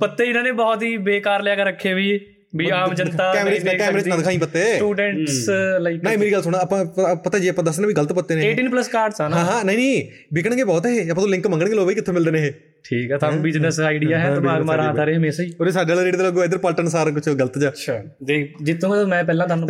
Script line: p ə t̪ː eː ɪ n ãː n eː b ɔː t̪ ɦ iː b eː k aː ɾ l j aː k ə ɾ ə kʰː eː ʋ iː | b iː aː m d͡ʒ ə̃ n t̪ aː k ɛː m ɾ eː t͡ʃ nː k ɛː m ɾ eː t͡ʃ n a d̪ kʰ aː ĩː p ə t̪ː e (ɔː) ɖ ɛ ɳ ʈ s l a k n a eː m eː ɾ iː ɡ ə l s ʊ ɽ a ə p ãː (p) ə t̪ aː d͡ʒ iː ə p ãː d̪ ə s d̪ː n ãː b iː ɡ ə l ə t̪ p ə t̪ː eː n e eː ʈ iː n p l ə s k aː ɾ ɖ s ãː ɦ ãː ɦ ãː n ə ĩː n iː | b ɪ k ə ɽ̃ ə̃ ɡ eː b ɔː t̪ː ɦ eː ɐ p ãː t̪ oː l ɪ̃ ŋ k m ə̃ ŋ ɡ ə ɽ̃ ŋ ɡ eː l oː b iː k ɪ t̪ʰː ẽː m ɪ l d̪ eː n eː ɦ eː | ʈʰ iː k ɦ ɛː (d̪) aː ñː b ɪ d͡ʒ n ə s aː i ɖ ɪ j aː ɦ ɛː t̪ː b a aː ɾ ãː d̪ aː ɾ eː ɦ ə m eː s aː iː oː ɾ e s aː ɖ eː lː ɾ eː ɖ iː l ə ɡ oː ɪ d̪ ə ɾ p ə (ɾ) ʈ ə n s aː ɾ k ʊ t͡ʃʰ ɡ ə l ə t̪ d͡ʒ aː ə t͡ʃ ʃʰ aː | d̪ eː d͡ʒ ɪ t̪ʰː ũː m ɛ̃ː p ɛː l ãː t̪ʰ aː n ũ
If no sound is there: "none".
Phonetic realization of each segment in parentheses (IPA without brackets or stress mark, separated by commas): uː, p, t̪, l